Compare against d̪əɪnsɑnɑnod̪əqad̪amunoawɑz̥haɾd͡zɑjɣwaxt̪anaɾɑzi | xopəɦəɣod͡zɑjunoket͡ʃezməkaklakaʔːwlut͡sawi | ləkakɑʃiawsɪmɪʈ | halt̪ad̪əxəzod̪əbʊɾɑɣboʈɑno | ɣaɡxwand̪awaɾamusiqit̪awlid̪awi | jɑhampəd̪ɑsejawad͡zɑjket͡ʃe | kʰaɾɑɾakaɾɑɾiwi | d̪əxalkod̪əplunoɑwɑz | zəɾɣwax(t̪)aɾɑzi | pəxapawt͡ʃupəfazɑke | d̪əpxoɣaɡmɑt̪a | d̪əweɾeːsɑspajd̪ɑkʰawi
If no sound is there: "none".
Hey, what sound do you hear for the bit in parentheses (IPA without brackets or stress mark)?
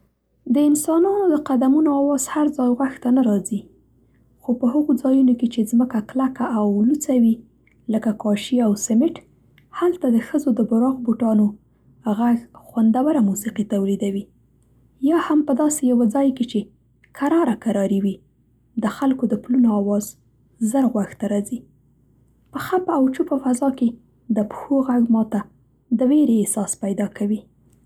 t̪